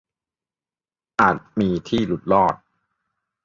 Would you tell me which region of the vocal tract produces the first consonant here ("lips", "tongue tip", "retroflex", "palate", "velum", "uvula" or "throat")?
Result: throat